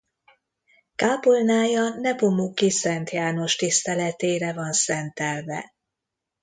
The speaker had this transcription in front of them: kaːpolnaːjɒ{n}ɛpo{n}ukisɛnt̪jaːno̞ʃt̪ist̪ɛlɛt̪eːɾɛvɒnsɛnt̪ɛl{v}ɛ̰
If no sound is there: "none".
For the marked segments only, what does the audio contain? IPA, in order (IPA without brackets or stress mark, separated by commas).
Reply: n, m, v